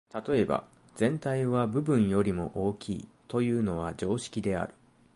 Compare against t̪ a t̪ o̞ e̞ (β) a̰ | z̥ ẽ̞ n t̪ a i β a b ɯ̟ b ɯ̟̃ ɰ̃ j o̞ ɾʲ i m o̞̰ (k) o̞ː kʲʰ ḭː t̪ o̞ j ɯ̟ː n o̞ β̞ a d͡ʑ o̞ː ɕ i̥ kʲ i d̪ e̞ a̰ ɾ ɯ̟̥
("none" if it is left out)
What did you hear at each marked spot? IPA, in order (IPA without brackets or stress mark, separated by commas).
b, ʔ